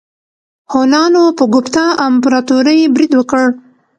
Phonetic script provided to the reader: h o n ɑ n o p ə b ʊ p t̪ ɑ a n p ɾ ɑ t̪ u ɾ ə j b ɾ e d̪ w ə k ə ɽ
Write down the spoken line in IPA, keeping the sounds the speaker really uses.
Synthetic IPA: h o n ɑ n o p ə ɡ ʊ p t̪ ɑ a m p ɾ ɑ t̪ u ɾ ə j b ɾ i d̪ w ə k ə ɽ